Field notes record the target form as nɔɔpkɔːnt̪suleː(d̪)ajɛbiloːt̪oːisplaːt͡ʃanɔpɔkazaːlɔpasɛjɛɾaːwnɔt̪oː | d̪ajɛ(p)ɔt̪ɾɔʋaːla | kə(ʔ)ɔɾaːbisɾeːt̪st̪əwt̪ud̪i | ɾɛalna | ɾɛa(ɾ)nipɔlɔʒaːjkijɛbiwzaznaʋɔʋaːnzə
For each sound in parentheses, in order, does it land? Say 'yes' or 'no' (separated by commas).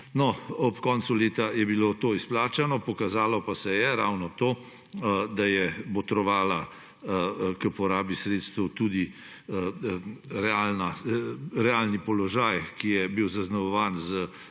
no, no, no, no